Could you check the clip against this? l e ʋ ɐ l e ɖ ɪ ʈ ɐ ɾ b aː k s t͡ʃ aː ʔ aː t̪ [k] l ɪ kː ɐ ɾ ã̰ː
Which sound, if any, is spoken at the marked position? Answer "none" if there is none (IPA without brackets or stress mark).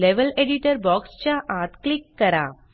k